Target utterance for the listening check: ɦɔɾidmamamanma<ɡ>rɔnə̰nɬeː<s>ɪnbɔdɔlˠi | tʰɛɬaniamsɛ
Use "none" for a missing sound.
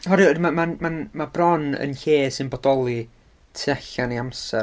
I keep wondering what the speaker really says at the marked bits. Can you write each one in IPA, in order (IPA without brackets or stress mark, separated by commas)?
b, s